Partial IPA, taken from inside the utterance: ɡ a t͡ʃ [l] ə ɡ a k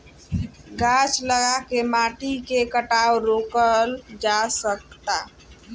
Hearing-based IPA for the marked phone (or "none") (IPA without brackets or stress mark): l